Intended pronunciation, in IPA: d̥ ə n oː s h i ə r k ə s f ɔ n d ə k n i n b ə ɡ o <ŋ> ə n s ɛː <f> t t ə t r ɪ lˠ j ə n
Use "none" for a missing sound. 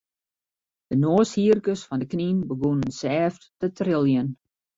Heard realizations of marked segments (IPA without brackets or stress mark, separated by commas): n, f